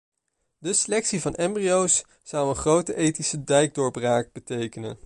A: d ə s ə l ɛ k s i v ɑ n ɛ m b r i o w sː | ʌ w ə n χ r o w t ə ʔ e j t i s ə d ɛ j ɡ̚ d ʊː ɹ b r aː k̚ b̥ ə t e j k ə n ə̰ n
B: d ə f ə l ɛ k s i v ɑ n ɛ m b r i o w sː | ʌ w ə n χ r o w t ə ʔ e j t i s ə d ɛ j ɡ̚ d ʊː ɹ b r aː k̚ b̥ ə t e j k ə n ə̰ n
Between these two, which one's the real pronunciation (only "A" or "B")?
A